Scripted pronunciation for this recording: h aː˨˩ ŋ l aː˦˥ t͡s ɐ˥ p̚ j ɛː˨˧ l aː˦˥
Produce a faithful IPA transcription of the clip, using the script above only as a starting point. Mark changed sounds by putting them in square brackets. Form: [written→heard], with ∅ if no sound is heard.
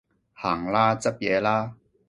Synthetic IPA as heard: h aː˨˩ ŋ l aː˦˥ t͡s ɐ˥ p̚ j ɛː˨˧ l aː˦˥